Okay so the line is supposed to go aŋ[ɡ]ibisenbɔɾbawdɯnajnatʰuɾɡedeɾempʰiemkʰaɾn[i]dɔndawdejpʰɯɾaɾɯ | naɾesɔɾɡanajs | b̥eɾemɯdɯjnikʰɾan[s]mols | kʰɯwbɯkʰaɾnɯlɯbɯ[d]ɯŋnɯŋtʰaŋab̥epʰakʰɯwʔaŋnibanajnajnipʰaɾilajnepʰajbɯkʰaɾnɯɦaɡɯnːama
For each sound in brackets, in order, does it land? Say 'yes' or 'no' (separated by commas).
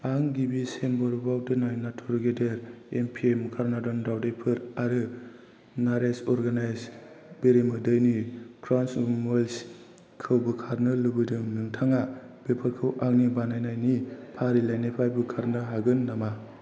yes, no, yes, yes